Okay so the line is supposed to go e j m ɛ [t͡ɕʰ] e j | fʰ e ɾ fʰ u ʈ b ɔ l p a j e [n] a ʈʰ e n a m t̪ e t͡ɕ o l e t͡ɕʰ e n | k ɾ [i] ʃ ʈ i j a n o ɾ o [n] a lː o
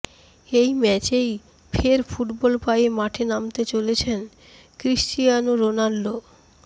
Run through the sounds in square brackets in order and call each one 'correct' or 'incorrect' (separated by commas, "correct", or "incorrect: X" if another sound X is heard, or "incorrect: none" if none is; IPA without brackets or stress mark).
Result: incorrect: t͡ɕ, incorrect: m, correct, correct